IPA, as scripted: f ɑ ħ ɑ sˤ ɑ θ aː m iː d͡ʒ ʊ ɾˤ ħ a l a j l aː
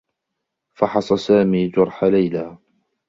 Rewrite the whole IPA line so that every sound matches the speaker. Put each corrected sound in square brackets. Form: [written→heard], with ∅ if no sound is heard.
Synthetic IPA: f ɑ ħ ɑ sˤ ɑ [θ→s] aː m iː d͡ʒ ʊ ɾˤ ħ a l a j l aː